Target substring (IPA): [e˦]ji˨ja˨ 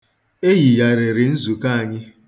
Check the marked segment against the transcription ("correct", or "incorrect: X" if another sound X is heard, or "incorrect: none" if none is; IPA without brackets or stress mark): correct